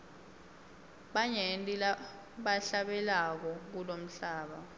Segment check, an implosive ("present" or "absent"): present